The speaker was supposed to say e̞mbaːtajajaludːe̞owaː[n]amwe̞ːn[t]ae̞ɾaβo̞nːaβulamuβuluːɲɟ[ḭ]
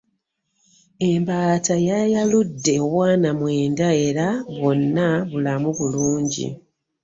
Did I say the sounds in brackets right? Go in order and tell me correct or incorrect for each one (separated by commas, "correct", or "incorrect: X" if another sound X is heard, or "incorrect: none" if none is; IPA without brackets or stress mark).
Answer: correct, incorrect: d, correct